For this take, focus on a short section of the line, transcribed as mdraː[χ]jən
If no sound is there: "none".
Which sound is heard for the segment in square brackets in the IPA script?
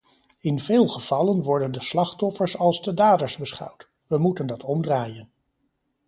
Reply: none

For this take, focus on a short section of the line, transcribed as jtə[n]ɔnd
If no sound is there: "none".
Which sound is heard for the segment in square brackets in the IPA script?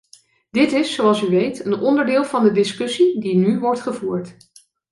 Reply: n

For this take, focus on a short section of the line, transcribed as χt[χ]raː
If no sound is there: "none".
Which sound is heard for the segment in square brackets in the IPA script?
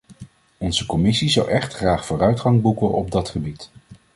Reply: χ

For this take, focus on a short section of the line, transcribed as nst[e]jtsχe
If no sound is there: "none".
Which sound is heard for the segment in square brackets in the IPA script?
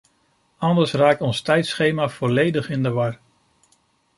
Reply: ɛ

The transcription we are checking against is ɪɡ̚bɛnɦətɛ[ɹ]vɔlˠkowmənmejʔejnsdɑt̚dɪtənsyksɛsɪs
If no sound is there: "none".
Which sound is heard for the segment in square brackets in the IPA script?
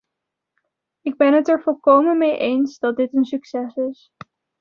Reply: ɹ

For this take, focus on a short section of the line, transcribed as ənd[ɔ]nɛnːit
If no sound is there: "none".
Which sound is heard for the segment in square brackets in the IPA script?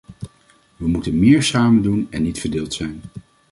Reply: u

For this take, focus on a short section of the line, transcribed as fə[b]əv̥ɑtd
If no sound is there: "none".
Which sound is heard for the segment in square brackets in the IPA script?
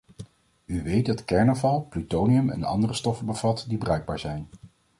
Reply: b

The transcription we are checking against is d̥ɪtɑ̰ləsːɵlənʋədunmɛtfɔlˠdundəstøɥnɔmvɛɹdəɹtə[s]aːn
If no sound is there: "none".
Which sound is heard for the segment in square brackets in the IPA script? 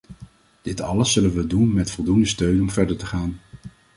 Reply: χ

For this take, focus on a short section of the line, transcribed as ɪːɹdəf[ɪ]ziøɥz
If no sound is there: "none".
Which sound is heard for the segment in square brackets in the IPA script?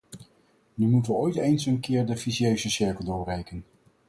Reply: i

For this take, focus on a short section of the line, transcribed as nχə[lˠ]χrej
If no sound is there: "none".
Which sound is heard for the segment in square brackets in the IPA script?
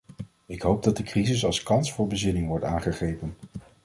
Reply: none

